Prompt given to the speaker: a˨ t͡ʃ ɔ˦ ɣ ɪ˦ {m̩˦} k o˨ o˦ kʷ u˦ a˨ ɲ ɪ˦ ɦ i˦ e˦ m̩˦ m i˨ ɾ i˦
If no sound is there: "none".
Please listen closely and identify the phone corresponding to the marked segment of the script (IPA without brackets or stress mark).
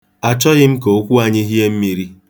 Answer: m̩˦